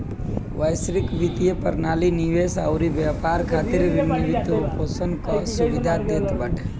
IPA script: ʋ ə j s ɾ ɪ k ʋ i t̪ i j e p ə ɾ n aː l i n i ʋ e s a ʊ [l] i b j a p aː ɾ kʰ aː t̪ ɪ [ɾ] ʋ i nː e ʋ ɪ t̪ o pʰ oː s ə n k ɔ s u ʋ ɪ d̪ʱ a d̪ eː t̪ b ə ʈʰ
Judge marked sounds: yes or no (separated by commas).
no, yes